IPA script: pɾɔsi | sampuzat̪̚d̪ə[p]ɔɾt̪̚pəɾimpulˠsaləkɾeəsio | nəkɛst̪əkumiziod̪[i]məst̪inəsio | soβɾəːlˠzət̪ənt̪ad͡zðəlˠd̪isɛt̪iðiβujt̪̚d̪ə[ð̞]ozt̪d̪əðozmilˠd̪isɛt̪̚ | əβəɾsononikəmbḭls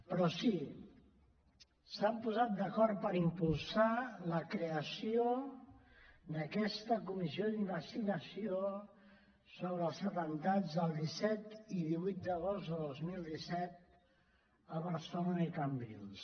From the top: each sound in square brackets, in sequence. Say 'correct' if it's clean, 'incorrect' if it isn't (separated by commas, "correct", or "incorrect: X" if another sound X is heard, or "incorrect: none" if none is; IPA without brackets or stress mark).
incorrect: k, correct, incorrect: ɣ̞